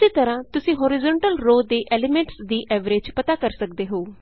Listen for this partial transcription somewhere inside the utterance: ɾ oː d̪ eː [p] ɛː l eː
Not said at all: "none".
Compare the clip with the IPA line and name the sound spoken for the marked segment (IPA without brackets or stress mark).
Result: ʔ